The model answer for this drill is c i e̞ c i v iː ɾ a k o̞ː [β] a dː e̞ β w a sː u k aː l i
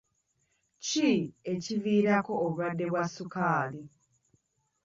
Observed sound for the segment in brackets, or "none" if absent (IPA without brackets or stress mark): β